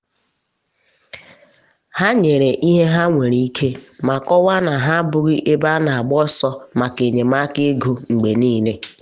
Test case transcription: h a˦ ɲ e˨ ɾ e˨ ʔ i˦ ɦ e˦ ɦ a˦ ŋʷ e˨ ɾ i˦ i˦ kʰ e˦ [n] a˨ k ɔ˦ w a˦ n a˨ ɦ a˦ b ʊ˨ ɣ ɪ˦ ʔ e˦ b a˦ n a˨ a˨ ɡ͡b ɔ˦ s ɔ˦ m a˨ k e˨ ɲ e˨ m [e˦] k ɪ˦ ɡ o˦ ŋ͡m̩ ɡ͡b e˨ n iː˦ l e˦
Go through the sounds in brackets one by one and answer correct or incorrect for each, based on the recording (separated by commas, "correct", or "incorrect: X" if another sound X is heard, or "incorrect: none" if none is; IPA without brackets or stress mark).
incorrect: m, incorrect: a˦